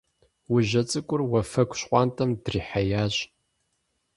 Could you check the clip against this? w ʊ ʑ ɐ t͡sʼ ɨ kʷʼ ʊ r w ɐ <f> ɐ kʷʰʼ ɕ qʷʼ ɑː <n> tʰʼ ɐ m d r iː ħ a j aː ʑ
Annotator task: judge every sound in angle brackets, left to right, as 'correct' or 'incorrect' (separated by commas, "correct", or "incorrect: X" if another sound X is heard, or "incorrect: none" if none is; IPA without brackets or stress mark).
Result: correct, correct